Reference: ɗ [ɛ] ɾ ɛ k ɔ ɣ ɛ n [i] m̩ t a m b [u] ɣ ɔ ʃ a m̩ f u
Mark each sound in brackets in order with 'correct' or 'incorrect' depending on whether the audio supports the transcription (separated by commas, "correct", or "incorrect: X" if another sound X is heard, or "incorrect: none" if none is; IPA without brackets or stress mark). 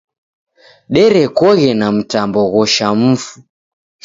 correct, incorrect: a, incorrect: ɔ